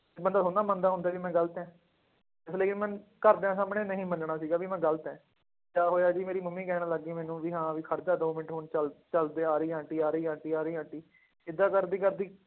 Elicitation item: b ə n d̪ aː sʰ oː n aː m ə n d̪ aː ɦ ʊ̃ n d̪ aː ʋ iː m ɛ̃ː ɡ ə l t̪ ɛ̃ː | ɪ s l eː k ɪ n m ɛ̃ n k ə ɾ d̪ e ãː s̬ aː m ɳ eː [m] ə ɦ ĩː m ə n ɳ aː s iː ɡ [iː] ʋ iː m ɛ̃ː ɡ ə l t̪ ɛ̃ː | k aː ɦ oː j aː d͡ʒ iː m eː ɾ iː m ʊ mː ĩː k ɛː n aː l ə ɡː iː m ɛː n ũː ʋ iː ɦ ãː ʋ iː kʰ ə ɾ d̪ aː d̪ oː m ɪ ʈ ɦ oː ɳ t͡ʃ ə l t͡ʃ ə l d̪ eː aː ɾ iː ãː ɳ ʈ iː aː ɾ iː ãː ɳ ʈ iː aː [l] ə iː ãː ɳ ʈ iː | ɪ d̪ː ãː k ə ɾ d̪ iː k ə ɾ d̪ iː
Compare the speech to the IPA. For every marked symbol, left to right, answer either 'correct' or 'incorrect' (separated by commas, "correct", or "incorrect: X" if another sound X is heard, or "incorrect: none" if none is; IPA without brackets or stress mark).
incorrect: n, incorrect: aː, incorrect: ɾ